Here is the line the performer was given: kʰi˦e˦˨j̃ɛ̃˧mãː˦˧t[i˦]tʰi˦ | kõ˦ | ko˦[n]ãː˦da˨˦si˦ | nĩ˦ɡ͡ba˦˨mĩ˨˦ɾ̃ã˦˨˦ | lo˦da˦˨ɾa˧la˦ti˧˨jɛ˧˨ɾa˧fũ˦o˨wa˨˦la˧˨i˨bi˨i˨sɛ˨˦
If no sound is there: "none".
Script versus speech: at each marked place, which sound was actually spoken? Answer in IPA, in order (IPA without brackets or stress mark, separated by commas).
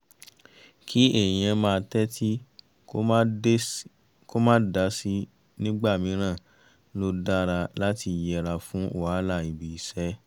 ɛ˦, m